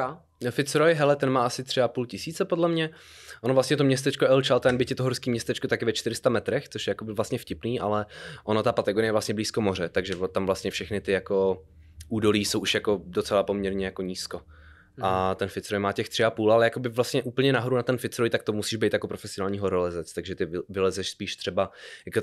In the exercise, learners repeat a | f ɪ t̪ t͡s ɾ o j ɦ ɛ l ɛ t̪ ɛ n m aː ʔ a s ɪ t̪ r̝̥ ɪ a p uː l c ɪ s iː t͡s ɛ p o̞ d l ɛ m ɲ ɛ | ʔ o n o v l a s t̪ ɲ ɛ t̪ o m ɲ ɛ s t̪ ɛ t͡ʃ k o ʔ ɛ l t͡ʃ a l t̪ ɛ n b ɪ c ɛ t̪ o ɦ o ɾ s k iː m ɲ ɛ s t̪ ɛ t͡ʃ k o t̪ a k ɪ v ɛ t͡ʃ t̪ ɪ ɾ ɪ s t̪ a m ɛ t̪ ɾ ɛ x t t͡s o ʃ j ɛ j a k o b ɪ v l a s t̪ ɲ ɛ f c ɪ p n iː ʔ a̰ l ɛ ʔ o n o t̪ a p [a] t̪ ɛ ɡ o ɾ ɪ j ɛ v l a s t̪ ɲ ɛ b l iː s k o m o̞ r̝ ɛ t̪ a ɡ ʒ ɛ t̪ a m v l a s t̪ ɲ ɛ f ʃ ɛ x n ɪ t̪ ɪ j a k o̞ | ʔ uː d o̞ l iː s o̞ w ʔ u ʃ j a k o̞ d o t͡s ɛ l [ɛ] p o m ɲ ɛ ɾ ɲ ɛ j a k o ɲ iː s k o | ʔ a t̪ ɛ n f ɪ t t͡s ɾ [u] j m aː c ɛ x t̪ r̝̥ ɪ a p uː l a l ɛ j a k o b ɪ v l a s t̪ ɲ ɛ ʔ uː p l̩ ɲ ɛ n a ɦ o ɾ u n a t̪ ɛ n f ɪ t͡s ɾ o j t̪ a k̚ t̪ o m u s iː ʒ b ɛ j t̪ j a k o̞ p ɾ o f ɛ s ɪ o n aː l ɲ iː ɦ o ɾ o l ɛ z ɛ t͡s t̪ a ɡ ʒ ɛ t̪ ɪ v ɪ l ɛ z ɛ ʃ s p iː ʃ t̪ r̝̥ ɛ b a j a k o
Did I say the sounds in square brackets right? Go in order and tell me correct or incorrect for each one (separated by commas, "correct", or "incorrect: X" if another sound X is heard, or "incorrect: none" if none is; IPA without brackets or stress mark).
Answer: correct, incorrect: a, incorrect: o